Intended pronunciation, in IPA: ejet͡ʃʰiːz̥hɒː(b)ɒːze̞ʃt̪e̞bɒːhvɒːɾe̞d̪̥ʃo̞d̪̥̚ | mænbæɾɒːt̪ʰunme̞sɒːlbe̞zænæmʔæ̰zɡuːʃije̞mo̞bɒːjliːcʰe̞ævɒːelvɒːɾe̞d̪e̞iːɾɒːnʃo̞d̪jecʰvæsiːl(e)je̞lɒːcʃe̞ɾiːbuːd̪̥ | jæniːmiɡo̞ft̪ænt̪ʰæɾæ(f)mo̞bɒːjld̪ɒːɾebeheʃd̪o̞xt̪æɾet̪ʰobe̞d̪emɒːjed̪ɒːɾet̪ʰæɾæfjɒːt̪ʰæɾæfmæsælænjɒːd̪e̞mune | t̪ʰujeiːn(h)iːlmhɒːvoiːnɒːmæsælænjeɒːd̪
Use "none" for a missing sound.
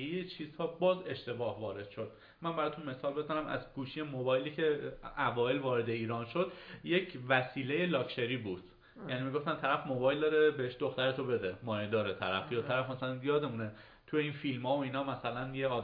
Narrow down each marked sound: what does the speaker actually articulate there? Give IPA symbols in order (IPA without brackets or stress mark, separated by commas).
b, e, f, f